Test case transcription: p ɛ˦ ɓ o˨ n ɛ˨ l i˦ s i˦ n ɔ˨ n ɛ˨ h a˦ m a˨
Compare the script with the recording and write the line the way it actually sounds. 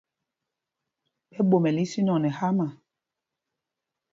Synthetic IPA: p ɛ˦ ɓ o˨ m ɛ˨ l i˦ s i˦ n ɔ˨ n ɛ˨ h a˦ m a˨